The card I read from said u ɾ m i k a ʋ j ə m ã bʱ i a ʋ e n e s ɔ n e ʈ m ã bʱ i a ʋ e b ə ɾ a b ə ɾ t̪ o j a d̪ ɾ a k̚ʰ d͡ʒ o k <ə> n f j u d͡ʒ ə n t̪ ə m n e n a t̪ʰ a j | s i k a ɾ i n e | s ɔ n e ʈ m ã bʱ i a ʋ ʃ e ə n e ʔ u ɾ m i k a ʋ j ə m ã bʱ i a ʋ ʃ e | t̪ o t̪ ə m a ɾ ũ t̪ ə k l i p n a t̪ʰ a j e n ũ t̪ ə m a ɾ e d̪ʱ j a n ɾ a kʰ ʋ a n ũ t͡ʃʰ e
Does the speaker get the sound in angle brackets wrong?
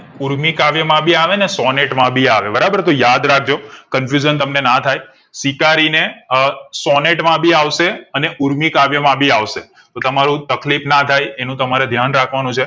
no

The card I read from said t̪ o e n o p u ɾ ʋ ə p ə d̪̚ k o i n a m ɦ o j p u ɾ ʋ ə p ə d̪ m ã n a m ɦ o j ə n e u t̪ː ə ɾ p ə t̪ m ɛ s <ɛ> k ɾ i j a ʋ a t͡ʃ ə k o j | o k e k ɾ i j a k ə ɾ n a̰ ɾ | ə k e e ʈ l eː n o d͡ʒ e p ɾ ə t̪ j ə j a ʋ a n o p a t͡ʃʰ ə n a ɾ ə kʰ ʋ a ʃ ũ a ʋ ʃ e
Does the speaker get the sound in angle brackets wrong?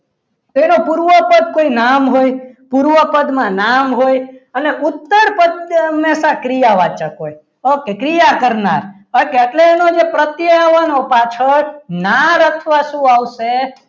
yes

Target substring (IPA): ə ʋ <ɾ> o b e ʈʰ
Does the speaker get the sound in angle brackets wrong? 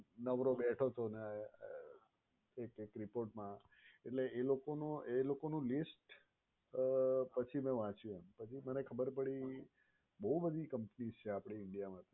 no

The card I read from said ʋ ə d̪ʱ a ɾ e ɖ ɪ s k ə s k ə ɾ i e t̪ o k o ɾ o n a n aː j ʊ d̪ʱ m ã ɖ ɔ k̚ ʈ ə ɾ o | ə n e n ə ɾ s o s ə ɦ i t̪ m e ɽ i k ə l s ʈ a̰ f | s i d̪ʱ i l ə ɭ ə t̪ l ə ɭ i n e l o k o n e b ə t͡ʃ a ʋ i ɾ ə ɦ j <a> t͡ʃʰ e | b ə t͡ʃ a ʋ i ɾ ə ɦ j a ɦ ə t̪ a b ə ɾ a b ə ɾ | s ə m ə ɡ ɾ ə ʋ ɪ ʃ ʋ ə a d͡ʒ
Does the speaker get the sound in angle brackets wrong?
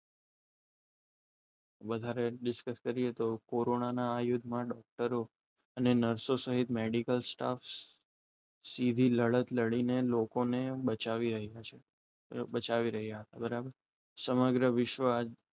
no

